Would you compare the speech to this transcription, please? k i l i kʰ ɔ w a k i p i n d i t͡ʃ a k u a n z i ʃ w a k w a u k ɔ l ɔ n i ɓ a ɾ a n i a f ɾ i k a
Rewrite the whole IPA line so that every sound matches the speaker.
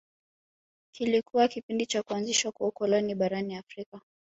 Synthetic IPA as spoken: k i l i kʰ u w a k i p i n d i t͡ʃ a k u a n z i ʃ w a k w a u k ɔ l ɔ n i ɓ a ɾ a n i a f ɾ i k a